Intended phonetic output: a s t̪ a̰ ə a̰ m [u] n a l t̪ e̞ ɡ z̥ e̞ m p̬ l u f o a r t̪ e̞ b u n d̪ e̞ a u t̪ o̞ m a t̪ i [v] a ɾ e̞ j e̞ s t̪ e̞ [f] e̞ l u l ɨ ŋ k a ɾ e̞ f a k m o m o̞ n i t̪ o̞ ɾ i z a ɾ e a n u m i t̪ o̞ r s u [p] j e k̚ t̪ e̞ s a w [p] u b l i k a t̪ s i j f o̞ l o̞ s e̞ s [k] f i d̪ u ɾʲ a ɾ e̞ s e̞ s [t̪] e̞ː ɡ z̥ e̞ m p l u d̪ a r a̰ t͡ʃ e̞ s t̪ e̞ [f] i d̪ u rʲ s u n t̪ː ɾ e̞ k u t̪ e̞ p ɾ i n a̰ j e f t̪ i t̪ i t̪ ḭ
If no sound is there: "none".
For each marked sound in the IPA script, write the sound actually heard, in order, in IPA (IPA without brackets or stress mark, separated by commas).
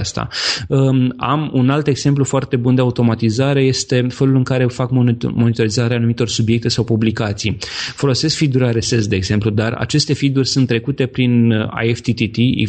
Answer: u, z, f, b, p, k, d̪, f